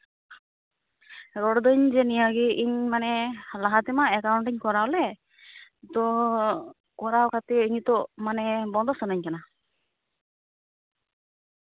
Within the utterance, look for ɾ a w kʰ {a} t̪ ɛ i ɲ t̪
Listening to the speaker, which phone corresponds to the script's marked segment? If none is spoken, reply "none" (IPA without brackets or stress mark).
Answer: a